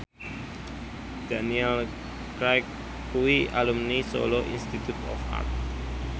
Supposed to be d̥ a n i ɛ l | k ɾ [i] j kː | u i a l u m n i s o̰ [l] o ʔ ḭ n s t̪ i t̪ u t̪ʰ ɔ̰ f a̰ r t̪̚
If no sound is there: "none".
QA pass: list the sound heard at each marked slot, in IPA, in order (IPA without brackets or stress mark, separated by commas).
a, l